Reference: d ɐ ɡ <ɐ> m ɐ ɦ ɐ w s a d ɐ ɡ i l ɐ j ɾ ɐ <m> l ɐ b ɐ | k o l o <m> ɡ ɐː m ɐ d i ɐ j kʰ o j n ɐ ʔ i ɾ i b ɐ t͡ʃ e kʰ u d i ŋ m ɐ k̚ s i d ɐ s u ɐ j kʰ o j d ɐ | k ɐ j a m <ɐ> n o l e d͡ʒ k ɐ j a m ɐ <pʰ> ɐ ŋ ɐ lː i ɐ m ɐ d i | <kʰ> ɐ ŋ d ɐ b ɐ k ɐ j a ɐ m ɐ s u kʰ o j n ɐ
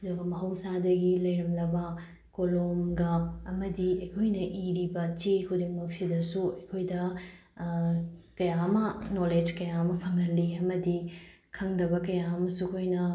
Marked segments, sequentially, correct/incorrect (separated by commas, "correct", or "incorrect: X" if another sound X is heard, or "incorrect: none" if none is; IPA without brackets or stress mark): correct, correct, correct, correct, correct, correct